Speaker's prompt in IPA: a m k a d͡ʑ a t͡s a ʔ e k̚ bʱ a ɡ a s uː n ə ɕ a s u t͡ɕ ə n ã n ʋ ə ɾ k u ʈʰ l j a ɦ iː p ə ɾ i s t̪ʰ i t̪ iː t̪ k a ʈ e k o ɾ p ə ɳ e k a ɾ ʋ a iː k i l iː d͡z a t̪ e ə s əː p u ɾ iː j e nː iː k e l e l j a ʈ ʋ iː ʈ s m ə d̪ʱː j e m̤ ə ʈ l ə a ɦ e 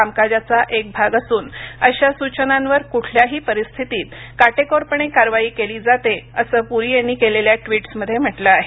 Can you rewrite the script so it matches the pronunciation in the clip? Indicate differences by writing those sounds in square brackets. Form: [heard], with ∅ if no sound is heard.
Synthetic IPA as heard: a m k a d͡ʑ a t͡s a ʔ e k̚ bʱ a ɡ a s uː n ə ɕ a s u t͡ɕ ə n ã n ʋ ə ɾ k u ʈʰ l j a ɦ iː p ə ɾ i s t̪ʰ i t̪ iː t̪ k a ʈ e k o ɾ p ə ɳ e k a ɾ ʋ a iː k [e] l iː d͡z a t̪ e ə s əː p u ɾ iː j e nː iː k e l e l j a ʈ ʋ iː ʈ s m ə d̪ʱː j e m̤ ə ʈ l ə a ɦ e